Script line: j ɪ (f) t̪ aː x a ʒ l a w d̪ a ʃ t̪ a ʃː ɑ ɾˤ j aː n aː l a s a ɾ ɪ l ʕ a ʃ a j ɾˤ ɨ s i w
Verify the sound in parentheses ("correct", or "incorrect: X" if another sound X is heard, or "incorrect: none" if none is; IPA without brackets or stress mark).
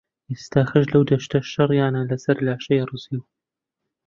incorrect: s